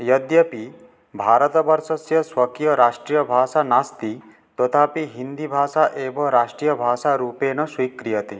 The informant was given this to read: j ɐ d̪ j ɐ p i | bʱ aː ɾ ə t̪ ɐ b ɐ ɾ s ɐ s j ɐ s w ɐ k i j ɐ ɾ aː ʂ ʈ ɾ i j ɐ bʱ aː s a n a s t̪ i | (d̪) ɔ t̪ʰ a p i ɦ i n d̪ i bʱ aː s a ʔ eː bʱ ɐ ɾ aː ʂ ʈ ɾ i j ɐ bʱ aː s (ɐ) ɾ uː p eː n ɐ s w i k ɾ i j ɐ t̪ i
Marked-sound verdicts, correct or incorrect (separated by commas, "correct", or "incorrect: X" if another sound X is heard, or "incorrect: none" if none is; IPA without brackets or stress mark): incorrect: t̪, incorrect: a